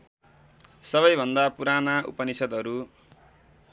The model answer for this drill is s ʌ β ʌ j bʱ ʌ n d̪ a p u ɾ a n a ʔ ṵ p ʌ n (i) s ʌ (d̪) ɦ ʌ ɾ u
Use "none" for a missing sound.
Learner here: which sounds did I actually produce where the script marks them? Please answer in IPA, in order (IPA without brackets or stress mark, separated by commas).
i, d̪